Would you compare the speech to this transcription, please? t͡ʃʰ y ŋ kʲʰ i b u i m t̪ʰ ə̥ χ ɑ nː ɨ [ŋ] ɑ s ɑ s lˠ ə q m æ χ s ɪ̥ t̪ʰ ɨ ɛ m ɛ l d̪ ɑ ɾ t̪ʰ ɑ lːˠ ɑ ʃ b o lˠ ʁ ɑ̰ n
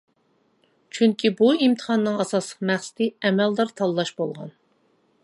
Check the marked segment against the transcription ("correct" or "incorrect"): correct